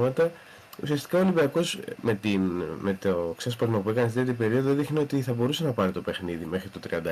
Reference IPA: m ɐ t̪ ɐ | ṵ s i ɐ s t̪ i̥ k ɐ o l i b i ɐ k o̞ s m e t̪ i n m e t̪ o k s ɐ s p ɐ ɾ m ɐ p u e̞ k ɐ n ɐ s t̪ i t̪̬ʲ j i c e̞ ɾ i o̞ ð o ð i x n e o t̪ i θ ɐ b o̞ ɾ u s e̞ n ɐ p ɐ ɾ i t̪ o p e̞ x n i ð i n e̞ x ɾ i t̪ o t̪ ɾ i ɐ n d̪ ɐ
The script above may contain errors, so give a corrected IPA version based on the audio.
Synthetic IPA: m ɐ t̪ ɐ | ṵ s i ɐ s t̪ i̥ k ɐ o l i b i ɐ k o̞ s m e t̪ i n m e t̪ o k s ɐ s p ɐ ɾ m ɐ p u e̞ k ɐ n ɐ s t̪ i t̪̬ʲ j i p e̞ ɾ i o̞ ð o ð i x n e o t̪ i θ ɐ b o̞ ɾ u s e̞ n ɐ p ɐ ɾ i t̪ o p e̞ x n i ð i m e̞ x ɾ i t̪ o t̪ ɾ i ɐ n d̪ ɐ